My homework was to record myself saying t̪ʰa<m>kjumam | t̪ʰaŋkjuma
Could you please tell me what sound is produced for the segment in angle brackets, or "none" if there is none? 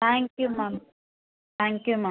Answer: ŋ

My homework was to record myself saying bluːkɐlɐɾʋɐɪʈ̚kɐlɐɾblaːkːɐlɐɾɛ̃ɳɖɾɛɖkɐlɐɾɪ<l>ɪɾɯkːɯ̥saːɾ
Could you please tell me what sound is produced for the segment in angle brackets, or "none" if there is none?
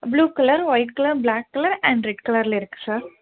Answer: l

